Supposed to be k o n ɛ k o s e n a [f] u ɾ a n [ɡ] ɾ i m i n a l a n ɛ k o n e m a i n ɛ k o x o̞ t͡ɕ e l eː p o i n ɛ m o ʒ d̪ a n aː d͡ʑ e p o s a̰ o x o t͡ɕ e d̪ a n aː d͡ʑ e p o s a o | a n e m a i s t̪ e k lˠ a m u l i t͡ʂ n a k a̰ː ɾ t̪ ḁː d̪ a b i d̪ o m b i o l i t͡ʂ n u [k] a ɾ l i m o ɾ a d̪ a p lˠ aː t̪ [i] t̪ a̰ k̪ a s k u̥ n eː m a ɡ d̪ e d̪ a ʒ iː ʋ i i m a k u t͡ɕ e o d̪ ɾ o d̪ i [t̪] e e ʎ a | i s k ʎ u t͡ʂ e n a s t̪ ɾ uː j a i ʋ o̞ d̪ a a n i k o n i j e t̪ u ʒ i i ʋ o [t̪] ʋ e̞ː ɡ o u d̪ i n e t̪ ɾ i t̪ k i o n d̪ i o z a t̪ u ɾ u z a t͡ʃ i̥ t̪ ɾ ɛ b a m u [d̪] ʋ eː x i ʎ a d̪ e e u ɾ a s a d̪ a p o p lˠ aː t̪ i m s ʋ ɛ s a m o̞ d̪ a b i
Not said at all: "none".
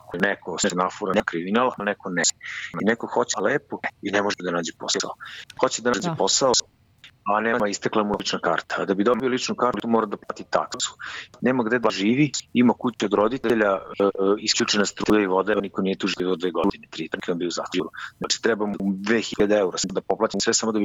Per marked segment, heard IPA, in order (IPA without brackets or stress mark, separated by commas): f, k, k, i, t̪, d̪, d̪